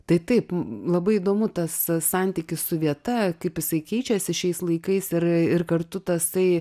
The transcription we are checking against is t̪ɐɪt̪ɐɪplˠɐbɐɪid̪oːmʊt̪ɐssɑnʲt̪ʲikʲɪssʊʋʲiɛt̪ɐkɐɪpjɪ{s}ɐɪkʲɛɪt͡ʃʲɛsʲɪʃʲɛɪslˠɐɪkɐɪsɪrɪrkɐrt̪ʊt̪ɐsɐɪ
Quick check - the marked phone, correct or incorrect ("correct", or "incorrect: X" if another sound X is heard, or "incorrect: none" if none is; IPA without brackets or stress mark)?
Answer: correct